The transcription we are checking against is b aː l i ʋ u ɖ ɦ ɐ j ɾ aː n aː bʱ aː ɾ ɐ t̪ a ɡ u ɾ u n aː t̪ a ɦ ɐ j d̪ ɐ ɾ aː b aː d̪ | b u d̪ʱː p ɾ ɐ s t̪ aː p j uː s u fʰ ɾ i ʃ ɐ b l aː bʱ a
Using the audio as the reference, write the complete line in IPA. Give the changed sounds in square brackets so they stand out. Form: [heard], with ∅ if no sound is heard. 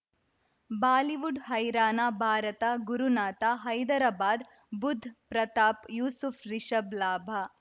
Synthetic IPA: b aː l i ʋ u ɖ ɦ ɐ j ɾ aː n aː bʱ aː ɾ ɐ t̪ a ɡ u ɾ u n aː t̪ a ɦ ɐ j d̪ ɐ ɾ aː b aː d̪ | b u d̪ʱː p ɾ ɐ [∅] t̪ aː p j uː s u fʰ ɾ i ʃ ɐ b l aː bʱ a